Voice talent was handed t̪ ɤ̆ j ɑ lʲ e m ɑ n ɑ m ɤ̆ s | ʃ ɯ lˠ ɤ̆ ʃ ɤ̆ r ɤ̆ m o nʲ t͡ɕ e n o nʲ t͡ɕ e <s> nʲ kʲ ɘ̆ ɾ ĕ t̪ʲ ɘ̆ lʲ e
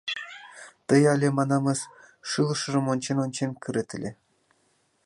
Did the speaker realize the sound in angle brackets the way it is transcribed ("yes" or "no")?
no